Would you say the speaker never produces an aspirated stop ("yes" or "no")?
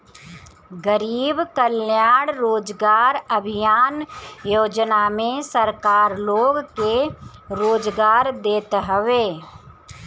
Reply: yes